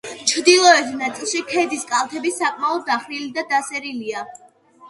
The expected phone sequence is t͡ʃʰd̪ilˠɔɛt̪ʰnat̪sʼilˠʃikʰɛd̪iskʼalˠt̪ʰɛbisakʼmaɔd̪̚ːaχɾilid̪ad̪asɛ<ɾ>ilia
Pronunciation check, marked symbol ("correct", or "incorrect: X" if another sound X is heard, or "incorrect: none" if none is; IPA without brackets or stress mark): correct